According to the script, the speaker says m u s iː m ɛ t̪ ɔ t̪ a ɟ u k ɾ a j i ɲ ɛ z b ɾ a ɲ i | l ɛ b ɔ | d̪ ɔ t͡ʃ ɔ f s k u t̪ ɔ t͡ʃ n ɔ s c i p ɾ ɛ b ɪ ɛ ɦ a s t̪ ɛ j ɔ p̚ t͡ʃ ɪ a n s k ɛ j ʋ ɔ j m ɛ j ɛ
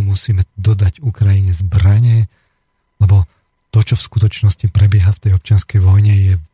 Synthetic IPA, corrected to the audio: m u s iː m ɛ d̪ ɔ d̪ a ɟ u k ɾ a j i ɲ ɛ z b ɾ a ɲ ɛ | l ɛ b ɔ | t̪ ɔ t͡ʃ ɔ f s k u t̪ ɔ t͡ʃ n ɔ s c i p ɾ ɛ b ɪ ɛ ɦ a f t̪ ɛ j ɔ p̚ t͡ʃ ɪ a n s k ɛ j ʋ ɔ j ɲ ɛ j ɛ